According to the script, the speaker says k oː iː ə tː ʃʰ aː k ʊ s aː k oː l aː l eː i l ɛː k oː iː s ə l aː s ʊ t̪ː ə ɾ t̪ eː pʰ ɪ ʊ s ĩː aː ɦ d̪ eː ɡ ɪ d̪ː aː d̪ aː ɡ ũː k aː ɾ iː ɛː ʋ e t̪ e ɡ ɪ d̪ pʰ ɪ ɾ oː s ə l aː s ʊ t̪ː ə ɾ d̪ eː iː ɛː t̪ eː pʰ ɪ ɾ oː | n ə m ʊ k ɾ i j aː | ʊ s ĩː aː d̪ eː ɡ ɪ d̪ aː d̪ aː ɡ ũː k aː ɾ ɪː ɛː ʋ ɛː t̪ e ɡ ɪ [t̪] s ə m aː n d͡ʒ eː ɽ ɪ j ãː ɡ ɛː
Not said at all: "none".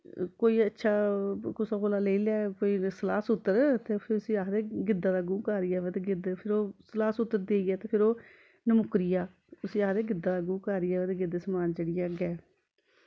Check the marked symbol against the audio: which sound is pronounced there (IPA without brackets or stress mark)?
d̪